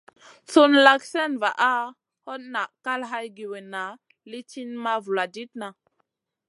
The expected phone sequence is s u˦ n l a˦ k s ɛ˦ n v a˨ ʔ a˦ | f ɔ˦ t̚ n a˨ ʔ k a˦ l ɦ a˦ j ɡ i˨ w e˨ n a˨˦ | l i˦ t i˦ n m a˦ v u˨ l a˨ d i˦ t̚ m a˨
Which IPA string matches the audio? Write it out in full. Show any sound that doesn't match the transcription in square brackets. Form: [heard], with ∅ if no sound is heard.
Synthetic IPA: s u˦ n l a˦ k s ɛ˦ n v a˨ ʔ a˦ | [h] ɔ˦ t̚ n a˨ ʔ k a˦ l ɦ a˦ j ɡ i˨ w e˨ n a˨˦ | l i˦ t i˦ n m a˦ v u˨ l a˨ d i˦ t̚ [n] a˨